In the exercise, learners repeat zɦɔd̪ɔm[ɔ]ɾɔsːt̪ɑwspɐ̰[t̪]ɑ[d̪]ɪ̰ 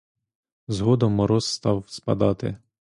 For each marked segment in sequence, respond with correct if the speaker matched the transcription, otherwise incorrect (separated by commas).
correct, incorrect, incorrect